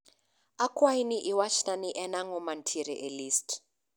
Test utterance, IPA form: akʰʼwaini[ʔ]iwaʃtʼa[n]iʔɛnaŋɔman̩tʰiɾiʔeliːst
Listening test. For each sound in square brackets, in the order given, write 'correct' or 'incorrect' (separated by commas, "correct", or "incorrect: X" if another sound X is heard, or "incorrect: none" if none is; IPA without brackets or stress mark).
correct, correct